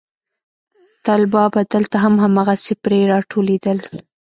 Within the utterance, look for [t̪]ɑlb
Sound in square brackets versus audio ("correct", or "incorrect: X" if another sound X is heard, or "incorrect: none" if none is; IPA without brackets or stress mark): correct